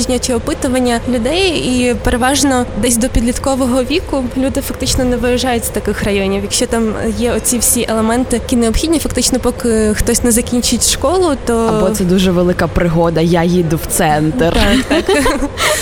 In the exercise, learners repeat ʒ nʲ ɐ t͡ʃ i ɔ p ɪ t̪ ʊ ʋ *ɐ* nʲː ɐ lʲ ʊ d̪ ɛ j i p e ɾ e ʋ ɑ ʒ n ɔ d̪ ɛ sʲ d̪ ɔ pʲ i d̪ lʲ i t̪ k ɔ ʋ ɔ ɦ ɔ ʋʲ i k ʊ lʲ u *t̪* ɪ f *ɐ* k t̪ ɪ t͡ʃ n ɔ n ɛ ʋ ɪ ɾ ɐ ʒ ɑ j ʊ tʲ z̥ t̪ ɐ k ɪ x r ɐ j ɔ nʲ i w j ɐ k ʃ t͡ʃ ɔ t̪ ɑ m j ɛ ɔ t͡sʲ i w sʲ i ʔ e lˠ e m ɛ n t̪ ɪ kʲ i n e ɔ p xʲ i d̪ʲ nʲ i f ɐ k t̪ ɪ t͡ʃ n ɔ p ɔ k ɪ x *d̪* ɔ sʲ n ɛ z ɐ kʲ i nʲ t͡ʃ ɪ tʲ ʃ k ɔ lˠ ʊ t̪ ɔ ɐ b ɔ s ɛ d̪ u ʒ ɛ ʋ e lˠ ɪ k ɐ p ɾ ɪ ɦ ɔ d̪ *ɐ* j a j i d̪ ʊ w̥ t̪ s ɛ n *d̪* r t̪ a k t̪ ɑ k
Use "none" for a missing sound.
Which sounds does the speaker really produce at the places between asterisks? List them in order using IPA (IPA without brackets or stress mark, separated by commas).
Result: ɐ, d̪, ɐ, t̪, ɐ, t̪